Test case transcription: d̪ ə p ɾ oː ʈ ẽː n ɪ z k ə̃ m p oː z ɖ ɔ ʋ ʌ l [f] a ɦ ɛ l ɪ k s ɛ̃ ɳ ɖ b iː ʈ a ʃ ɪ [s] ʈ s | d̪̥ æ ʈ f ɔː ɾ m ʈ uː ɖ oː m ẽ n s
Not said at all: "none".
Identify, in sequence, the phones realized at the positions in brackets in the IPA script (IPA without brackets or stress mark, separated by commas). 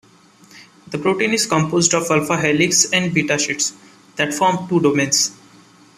f, none